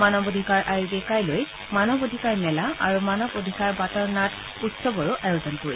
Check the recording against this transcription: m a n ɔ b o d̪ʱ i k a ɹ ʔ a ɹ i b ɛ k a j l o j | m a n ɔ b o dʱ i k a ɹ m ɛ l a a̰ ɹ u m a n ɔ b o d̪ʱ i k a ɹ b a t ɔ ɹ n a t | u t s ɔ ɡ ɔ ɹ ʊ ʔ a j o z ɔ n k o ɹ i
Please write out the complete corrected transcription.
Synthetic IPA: m a n ɔ b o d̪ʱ i k a ɹ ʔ a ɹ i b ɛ k a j l o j | m a n ɔ b o dʱ i k a ɹ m ɛ l a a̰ ɹ u m a n ɔ b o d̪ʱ i k a ɹ b a t ɔ ɹ n a t | u t s ɔ b ɔ ɹ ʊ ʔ a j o z ɔ n k o ɹ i